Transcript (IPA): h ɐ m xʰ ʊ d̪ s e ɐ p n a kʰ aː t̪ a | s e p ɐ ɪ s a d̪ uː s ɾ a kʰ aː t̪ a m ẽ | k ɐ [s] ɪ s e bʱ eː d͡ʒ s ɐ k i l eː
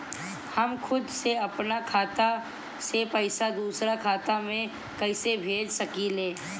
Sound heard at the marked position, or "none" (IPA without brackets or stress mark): none